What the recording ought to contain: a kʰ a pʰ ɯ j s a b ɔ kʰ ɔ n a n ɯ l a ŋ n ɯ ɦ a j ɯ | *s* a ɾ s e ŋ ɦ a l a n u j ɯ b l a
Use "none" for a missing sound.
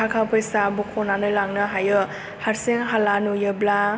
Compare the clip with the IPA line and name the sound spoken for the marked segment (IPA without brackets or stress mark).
h